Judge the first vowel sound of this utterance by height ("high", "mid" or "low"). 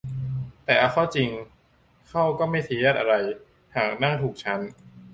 mid